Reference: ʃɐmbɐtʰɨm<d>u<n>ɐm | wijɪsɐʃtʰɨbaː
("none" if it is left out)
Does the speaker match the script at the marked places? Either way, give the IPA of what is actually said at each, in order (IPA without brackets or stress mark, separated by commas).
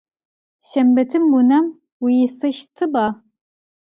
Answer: b, n